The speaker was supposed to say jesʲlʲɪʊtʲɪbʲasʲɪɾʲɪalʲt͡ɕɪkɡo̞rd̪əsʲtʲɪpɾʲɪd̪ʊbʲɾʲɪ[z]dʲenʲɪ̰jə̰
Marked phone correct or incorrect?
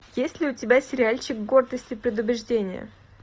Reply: incorrect